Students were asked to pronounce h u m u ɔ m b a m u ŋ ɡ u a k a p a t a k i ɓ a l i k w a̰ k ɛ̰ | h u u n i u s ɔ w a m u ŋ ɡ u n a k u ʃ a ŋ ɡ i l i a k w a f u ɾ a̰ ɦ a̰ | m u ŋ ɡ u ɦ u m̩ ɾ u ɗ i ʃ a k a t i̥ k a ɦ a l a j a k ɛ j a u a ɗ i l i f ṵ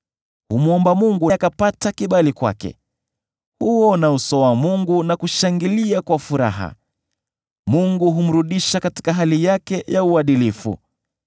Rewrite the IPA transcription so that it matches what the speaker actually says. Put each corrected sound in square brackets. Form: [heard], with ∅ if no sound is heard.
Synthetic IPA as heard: h u m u ɔ m b a m u ŋ ɡ u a k a p a t a k i ɓ a l i k w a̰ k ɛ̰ | h u [ɔ] n [a] u s ɔ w a m u ŋ ɡ u n a k u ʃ a ŋ ɡ i l i a k w a f u ɾ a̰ ɦ a̰ | m u ŋ ɡ u ɦ u m̩ ɾ u ɗ i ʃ a k a t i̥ k a ɦ a l [i] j a k ɛ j a u a ɗ i l i f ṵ